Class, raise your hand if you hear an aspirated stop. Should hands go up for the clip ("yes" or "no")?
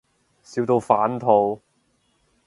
yes